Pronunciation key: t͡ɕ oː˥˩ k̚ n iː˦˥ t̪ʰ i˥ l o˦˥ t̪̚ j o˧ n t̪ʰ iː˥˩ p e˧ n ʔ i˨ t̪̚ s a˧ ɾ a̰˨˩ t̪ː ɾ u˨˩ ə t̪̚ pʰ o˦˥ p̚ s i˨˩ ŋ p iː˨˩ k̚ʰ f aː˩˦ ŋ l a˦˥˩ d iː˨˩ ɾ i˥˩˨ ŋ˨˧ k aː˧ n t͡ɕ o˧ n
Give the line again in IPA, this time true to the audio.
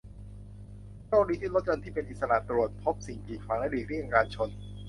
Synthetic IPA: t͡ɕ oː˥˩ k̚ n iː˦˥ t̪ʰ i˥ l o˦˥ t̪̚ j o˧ n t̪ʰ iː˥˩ p e˧ n ʔ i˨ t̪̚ s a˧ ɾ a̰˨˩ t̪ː ɾ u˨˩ ə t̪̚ pʰ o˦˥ p̚ s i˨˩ ŋ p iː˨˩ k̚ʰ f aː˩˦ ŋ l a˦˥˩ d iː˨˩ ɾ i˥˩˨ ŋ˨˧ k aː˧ n t͡ɕʰ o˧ n